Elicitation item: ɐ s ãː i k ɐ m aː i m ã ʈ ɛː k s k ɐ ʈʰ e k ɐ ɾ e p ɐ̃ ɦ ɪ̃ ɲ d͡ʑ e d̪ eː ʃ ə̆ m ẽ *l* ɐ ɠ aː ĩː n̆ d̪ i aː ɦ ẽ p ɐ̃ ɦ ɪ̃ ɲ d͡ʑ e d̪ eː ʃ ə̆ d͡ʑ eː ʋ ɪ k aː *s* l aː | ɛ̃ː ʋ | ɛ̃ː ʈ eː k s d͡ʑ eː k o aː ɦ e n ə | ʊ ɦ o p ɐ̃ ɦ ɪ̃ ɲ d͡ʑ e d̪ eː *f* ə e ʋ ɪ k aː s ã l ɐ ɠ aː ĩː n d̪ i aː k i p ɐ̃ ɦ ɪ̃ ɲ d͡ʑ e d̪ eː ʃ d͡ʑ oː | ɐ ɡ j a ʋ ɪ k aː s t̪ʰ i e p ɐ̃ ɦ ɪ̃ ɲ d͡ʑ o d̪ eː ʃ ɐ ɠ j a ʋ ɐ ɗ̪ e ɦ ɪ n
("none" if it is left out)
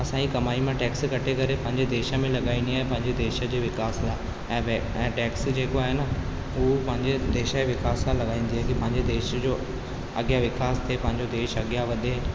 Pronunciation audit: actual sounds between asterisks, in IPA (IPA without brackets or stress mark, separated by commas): l, s, ʃ